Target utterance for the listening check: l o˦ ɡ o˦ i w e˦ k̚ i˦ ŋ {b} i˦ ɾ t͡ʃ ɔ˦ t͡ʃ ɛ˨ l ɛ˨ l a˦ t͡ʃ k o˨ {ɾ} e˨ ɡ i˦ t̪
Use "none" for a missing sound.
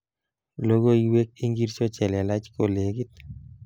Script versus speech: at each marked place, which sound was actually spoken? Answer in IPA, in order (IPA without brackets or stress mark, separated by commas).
ɡ, l